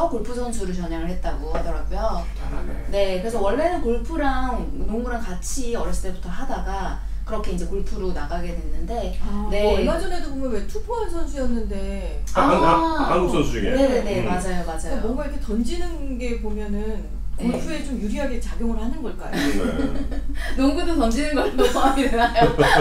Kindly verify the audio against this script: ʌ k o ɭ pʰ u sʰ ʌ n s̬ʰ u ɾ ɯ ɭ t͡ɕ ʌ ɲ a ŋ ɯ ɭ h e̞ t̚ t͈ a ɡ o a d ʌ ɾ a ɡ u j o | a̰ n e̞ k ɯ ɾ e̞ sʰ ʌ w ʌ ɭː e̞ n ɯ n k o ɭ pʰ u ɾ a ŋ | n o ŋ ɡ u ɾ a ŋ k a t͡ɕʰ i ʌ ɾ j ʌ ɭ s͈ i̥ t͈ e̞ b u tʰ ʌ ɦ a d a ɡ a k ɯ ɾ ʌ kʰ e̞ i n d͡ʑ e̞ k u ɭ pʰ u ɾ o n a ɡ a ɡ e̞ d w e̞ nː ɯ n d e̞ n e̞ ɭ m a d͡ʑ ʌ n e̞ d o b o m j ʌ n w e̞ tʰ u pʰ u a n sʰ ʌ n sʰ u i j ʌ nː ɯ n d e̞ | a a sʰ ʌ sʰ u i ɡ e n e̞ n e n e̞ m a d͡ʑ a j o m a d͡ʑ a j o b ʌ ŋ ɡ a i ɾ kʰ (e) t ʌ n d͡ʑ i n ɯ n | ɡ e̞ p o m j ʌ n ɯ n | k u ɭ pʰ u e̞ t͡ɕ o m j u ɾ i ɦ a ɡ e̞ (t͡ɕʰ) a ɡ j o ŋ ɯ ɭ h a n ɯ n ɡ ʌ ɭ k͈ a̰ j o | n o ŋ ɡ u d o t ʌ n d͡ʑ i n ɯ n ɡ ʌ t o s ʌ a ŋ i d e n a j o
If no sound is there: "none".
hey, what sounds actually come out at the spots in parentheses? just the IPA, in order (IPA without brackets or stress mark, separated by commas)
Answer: e, t͡ɕ